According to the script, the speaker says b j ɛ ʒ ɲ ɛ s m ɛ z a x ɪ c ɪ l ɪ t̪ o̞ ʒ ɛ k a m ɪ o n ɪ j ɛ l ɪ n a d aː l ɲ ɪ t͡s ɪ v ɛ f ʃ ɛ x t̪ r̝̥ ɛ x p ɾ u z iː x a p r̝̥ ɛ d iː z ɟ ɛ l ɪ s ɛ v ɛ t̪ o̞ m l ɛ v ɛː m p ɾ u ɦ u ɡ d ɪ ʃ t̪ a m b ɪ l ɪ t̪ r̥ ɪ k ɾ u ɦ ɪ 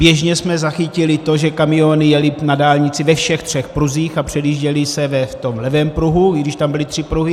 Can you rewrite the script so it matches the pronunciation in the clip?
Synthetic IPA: b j ɛ ʒ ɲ ɛ s m ɛ z a x ɪ c ɪ l ɪ t̪ o̞ ʒ ɛ k a m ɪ o n ɪ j ɛ l ɪ n a d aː l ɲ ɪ t͡s ɪ v ɛ f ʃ ɛ x t̪ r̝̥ ɛ x p ɾ u z iː x a p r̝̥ ɛ d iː ʒ ɟ ɛ l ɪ s ɛ v ɛ t̪ o̞ m l ɛ v ɛː m p ɾ u ɦ u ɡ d ɪ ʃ t̪ a m b ɪ l ɪ t̪ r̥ ɪ p ɾ u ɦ ɪ